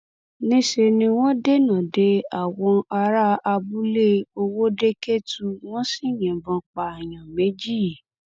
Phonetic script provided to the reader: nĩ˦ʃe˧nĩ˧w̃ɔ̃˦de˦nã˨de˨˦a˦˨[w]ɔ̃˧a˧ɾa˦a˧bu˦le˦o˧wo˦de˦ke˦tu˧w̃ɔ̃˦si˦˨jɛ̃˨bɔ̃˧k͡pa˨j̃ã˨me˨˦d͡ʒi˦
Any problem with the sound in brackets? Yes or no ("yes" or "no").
no